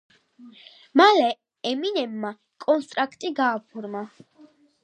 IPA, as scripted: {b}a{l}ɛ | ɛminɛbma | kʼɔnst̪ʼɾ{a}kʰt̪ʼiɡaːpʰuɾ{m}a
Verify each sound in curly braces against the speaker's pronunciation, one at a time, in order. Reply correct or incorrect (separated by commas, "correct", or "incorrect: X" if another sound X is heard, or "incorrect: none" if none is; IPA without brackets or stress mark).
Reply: incorrect: m, correct, correct, correct